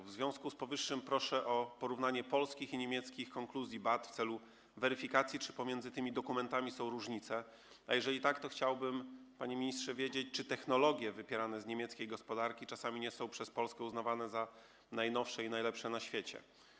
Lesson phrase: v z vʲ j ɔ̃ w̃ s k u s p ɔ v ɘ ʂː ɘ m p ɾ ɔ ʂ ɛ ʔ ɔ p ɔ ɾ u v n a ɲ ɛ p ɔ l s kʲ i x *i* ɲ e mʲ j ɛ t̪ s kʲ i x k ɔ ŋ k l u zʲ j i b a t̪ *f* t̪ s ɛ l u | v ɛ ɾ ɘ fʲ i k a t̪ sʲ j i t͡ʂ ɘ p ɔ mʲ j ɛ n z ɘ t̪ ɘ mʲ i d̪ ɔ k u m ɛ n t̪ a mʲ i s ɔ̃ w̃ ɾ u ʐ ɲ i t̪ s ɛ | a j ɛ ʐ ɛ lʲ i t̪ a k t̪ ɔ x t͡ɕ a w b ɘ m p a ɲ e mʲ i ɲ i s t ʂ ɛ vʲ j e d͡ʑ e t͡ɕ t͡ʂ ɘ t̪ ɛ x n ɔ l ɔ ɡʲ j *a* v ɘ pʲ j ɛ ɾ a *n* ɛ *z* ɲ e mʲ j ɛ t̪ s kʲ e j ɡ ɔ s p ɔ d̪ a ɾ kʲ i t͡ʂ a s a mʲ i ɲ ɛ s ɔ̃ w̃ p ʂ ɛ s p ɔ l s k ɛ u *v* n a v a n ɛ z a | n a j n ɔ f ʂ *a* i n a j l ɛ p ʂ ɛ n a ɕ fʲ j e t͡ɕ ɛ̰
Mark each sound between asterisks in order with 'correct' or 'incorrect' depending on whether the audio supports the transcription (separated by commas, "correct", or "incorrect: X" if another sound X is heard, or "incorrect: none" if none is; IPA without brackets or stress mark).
correct, correct, incorrect: ɛ, correct, correct, incorrect: z, incorrect: ɛ